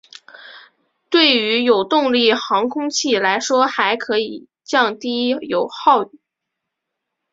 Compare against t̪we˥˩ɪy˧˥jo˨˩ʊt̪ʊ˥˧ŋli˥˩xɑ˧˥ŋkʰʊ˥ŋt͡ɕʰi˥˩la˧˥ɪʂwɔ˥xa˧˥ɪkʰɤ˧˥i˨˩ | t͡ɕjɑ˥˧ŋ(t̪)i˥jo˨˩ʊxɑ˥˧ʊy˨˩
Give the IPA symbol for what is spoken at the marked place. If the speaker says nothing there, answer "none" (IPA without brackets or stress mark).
t̪